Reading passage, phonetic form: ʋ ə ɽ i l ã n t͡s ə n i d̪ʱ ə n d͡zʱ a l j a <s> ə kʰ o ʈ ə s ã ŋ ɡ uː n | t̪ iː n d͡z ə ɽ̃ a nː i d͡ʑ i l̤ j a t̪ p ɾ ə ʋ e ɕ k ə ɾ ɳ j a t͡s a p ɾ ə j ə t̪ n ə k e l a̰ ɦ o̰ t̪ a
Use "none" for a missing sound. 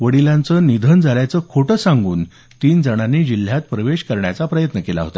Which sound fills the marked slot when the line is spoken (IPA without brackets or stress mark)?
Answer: t͡s